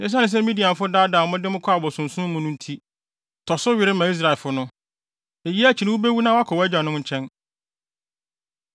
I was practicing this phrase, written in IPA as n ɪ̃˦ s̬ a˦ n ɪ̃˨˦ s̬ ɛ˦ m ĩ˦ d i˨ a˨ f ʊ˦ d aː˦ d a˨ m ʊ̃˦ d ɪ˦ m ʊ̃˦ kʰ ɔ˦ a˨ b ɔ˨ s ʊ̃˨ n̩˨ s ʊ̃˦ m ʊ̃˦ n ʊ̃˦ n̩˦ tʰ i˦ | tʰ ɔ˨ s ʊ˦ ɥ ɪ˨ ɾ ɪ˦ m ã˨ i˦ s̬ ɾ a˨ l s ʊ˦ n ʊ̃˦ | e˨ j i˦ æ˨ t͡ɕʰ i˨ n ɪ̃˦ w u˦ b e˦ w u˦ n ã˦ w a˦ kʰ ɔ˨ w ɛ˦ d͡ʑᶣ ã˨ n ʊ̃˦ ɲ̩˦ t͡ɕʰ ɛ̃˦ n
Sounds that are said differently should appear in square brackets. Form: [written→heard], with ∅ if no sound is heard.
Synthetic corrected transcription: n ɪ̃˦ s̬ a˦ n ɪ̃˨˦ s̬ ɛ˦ m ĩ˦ d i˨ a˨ f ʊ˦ d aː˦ d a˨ m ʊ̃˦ d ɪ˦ m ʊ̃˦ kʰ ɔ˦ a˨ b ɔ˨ s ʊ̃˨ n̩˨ s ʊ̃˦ m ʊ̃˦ n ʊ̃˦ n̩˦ tʰ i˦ | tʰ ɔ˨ s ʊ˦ ɥ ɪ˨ ɾ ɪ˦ m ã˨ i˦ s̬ ɾ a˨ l [s→f] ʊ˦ n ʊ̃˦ | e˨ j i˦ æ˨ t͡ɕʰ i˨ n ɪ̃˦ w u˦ b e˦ w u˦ n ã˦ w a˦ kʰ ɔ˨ w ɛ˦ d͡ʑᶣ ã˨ n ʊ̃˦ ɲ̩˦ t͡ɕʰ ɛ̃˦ n